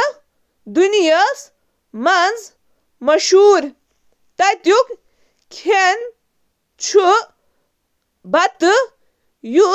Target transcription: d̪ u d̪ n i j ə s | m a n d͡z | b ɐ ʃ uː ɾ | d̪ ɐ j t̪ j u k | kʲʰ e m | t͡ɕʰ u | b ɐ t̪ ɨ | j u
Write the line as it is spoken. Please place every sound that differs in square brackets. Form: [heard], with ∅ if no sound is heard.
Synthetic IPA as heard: d̪ u [∅] n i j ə s | m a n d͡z | [m] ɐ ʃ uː ɾ | [t̪] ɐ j t̪ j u k | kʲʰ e [n] | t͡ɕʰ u | b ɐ t̪ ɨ | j u